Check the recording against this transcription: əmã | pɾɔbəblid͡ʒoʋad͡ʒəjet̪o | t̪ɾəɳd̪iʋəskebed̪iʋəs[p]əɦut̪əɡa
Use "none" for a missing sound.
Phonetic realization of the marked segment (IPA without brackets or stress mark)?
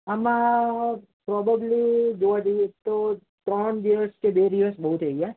b